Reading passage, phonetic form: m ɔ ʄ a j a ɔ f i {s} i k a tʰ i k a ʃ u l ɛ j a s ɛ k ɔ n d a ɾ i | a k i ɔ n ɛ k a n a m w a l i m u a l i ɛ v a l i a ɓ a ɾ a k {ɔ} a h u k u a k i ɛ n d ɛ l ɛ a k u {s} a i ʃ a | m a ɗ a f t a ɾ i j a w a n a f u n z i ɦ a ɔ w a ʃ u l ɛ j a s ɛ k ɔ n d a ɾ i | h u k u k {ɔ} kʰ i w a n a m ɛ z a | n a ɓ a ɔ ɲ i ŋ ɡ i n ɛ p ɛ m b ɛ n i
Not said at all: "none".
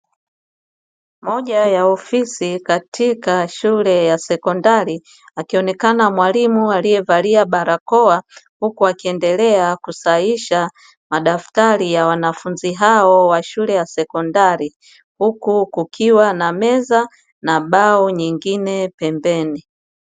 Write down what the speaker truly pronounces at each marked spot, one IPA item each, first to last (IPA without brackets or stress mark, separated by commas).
s, ɔ, s, u